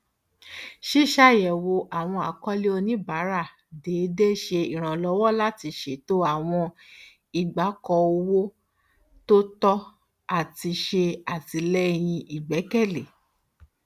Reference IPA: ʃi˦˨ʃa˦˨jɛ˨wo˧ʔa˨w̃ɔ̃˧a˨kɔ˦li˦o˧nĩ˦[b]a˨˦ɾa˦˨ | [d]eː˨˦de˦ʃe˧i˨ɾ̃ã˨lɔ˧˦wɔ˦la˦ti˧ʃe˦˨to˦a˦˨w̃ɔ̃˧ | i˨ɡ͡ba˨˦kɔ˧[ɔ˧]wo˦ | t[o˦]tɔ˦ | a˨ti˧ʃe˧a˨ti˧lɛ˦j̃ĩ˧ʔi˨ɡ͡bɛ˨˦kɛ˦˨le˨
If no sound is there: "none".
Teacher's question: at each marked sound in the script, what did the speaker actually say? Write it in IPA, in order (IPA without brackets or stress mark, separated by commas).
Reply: b, d, o˧, o˦